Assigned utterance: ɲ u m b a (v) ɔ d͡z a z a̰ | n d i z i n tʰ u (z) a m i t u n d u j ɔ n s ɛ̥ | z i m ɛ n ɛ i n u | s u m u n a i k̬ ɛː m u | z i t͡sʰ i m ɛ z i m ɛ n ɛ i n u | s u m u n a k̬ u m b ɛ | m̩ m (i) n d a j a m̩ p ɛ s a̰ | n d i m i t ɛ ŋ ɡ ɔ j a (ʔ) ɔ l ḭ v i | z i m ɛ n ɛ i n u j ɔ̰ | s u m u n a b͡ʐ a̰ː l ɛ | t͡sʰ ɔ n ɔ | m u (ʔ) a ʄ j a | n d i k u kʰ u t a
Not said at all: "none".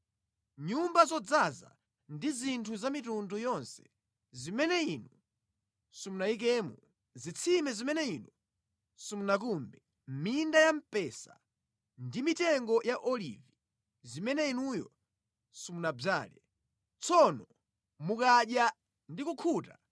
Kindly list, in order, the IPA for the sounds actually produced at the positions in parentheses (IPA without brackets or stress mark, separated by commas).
z, z, i, ʔ, k